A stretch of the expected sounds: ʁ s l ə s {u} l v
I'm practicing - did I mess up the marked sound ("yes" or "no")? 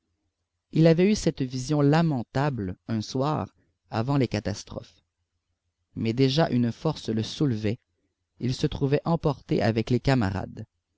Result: no